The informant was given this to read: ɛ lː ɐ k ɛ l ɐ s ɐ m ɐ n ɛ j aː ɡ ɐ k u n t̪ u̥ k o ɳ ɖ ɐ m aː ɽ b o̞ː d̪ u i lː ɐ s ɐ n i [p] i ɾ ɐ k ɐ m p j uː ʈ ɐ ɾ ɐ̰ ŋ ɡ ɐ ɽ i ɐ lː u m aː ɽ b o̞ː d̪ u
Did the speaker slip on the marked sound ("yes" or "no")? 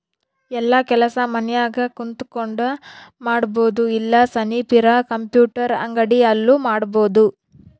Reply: no